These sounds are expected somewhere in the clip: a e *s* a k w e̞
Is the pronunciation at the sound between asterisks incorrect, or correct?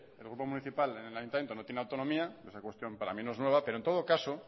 correct